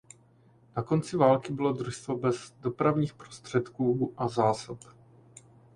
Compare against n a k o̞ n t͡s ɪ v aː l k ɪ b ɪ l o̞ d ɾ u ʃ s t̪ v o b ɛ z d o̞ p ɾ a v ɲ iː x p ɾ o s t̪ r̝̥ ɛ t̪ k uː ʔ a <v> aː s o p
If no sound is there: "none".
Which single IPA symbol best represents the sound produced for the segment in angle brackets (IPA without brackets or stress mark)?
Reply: z